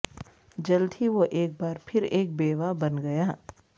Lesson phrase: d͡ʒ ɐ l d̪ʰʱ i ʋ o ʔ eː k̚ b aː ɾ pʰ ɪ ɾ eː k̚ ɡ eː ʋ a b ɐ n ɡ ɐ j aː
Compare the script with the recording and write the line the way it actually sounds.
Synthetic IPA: d͡ʒ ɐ l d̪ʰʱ i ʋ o ʔ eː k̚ b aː ɾ pʰ ɪ ɾ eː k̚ b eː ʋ a b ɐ n ɡ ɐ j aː